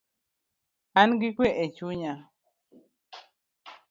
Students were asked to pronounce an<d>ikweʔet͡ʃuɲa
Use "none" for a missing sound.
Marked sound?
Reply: ɡ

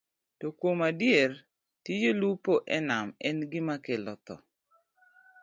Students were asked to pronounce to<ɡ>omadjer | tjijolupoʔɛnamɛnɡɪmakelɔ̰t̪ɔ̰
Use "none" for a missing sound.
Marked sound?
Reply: k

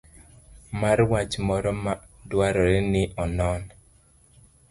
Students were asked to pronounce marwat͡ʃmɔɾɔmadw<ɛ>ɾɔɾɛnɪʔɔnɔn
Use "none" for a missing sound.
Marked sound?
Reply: a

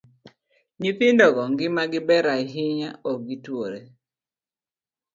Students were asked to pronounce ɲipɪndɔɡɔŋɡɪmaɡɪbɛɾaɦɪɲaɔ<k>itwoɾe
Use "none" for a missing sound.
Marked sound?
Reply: ɡ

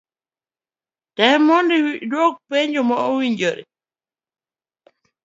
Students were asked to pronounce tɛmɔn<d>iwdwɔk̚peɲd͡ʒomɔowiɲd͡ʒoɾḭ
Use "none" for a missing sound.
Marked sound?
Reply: d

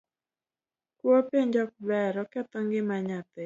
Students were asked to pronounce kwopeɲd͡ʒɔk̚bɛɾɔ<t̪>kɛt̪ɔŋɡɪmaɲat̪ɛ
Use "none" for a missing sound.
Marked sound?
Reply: none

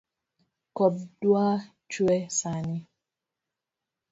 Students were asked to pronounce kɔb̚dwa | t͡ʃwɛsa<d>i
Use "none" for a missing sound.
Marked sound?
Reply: n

